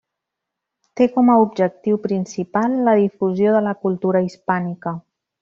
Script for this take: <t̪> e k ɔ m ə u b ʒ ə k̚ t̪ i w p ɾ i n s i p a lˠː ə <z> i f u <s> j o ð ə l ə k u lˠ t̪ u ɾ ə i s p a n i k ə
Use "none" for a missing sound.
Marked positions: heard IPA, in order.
t̪, ð, z

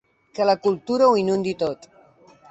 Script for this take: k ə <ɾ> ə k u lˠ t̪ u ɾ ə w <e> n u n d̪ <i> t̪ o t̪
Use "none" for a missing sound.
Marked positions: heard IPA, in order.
l, i, i

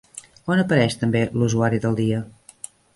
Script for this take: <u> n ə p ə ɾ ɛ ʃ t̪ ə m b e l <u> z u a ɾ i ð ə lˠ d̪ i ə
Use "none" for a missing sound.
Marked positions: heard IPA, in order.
o, u

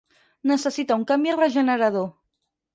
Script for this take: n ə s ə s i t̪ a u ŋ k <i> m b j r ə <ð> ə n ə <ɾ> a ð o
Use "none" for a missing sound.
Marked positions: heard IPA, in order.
a, ʒ, ɾ

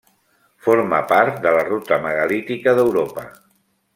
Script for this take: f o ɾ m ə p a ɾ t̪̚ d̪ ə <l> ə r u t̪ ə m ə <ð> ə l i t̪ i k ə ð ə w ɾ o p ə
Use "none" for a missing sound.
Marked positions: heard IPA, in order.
l, ɣ

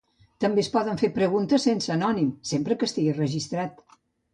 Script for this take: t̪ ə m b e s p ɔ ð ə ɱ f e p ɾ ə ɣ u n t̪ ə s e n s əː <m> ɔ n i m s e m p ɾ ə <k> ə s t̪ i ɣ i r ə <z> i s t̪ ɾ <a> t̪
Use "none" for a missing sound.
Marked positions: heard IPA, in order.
n, k, ʒ, a

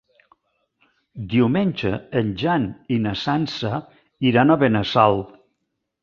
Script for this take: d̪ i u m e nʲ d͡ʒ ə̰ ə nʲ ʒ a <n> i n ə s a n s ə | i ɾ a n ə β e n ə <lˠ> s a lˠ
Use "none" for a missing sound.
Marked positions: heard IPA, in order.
n, none

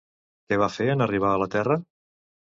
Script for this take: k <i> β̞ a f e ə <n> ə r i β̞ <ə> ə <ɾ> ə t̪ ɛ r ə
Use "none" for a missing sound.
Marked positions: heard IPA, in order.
ɛ, n, a, l

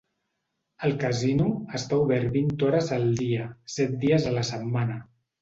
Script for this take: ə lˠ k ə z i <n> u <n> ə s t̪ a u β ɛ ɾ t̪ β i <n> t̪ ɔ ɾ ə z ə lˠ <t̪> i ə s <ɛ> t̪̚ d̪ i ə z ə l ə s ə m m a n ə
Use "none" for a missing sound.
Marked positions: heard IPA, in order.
n, none, n, d̪, ɛ

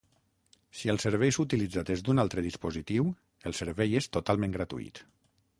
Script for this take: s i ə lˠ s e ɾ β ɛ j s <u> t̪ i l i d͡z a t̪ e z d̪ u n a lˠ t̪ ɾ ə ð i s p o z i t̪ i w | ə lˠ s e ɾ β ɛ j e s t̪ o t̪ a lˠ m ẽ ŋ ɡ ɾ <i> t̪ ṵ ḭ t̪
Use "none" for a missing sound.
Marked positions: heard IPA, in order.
u, a

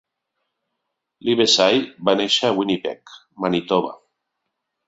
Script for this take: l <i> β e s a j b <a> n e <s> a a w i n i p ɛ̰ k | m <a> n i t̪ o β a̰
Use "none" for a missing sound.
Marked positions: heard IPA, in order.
i, a, ʃ, a

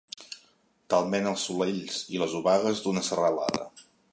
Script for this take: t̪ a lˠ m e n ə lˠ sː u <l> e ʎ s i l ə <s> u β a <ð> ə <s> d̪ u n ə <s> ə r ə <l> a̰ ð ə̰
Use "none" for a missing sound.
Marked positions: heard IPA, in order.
l, z, ɣ, z, s, l

